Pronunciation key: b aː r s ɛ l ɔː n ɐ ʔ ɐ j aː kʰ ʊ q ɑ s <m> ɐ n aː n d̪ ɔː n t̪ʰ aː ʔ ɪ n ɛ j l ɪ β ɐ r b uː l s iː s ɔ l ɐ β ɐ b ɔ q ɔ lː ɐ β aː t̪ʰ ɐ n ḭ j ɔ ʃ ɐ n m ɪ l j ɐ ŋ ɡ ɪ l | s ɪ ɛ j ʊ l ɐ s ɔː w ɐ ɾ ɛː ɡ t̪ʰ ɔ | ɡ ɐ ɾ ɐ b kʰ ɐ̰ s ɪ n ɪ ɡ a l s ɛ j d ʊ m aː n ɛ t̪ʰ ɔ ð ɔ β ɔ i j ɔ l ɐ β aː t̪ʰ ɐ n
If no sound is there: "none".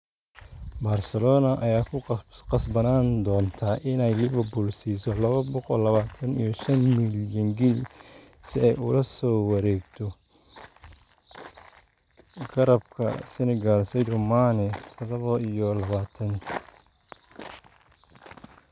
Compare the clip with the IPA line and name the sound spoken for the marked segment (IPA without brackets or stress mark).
b